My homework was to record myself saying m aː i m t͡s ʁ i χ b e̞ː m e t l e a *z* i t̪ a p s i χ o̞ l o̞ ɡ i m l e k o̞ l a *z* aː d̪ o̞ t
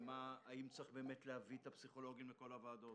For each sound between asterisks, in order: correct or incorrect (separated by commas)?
incorrect, incorrect